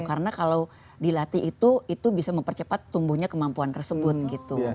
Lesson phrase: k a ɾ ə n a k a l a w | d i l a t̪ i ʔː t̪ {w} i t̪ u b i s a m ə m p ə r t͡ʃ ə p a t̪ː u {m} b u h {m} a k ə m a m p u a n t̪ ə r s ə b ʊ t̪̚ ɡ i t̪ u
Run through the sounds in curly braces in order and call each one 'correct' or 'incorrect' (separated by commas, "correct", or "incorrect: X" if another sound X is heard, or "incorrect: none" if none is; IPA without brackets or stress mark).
incorrect: u, correct, incorrect: ɲ